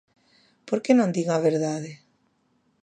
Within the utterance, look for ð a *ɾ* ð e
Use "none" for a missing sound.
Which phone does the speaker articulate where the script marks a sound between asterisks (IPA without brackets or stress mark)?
none